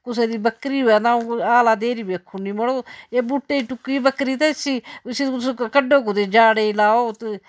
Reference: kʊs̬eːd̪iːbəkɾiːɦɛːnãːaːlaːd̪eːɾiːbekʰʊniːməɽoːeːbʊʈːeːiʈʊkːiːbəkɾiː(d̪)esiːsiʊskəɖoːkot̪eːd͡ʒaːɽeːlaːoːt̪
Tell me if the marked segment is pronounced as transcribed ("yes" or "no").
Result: no